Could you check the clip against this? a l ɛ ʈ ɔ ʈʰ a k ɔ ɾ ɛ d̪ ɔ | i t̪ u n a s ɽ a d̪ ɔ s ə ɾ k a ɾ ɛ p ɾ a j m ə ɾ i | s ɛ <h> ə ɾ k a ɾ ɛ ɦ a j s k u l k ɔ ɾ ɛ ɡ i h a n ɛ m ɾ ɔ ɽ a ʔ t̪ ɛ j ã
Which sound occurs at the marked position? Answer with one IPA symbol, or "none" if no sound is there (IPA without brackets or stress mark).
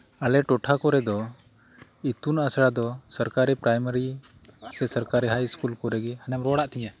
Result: s